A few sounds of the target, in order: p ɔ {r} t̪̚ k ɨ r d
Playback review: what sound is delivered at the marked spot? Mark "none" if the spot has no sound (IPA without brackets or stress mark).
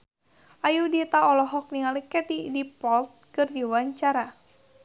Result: l